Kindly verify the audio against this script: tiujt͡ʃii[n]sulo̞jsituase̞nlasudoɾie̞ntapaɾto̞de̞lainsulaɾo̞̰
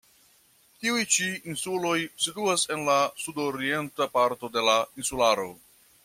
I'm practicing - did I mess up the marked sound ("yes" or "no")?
no